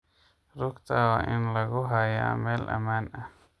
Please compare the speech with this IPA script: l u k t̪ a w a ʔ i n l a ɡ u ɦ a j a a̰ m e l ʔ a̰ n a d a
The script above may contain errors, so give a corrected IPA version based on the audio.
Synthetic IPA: ɾ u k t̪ a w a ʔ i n l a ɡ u ɦ a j a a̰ m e l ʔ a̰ m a n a